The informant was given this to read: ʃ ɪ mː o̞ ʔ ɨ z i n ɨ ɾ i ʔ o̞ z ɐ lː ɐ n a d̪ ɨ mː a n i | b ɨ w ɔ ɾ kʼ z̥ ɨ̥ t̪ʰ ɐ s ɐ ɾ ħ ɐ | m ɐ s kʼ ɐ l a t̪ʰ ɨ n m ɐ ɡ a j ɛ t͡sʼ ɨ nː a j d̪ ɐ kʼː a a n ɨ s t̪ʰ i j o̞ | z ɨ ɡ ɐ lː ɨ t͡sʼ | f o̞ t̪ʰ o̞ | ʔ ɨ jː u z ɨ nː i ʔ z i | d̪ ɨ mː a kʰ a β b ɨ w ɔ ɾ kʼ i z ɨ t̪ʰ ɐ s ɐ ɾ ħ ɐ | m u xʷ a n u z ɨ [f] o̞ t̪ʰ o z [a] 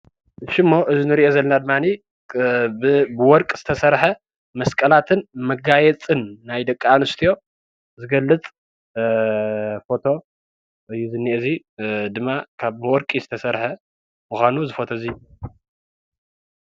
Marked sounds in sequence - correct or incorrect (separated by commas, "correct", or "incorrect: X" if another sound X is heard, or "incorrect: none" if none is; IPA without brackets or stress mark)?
correct, incorrect: i